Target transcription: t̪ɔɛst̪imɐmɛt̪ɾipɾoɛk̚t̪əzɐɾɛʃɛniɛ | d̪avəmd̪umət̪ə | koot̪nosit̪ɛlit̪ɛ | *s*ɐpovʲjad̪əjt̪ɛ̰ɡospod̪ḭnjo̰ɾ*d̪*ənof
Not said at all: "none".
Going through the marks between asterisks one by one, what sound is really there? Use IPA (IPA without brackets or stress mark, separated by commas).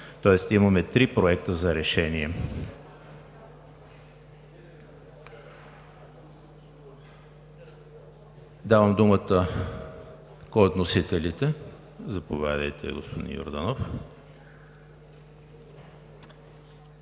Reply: z, d̪